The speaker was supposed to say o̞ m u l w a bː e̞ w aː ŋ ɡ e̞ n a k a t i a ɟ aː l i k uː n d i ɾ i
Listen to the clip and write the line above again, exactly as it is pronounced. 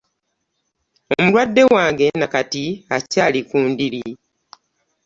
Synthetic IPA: o̞ m u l w a dː e̞ w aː ŋ ɡ e̞ n a k a t i a c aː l i k uː n d i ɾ i